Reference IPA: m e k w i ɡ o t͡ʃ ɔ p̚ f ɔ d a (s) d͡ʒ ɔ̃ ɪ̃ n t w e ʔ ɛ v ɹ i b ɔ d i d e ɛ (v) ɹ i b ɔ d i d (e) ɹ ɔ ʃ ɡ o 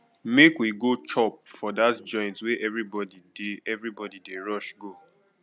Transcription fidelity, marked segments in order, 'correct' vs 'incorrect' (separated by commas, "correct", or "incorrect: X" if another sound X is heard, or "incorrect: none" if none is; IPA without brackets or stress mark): incorrect: t, correct, correct